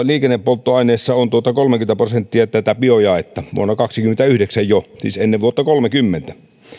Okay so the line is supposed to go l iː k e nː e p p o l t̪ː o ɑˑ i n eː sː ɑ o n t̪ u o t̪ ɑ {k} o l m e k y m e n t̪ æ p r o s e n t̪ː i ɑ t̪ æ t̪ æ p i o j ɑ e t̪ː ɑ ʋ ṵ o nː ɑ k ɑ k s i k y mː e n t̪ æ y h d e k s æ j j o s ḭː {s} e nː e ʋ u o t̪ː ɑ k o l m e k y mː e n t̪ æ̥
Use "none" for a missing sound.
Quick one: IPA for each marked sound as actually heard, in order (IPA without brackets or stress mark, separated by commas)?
k, s